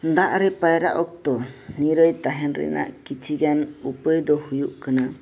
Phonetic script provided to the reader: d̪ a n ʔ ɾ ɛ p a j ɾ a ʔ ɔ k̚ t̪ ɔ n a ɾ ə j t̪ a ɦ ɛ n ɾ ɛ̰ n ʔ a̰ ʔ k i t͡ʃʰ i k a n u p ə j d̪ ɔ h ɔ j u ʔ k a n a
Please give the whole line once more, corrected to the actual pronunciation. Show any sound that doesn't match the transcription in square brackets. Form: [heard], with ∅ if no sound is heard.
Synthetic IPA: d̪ a [∅] ʔ ɾ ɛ p a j ɾ a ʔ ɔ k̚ t̪ ɔ n [i] ɾ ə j t̪ a ɦ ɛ n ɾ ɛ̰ n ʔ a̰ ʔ k i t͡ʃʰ i [ɡ] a n u p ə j d̪ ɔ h [u] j u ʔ k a n a